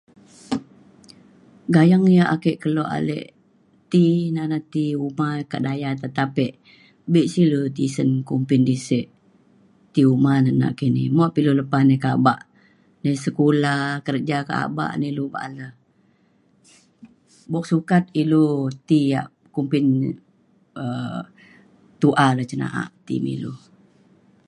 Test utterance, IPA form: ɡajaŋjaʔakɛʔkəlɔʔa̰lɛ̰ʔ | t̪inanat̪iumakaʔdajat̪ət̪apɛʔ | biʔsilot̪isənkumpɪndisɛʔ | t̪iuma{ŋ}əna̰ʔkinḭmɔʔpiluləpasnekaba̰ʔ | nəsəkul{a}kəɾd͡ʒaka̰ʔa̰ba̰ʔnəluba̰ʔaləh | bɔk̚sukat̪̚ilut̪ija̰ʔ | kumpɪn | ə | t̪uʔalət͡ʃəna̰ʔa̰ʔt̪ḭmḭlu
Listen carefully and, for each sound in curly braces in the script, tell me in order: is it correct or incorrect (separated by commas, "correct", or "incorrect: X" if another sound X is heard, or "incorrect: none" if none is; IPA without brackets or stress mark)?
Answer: incorrect: n, correct